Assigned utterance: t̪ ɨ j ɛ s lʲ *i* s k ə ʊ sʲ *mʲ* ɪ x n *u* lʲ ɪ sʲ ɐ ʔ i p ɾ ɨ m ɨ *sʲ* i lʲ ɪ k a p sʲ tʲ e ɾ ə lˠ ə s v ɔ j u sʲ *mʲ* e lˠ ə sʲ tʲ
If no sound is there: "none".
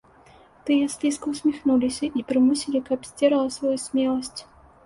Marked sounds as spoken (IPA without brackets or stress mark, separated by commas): i, mʲ, u, sʲ, mʲ